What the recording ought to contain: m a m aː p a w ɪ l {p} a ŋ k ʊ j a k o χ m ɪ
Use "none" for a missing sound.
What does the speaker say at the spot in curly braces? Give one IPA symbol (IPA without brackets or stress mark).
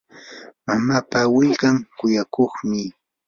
k